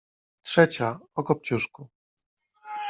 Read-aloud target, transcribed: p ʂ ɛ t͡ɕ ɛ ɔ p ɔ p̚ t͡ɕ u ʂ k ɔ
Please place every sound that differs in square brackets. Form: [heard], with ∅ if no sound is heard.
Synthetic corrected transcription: [t] ʂ ɛ t͡ɕ [a] ɔ [k] ɔ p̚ t͡ɕ u ʂ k [u]